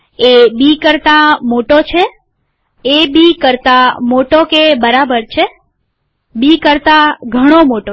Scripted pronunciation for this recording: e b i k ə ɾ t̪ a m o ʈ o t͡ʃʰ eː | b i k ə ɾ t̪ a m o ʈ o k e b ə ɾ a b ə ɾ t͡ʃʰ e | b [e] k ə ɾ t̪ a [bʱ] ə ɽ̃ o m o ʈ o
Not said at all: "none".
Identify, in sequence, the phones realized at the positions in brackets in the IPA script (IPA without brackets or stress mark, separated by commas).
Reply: i, ɡʱ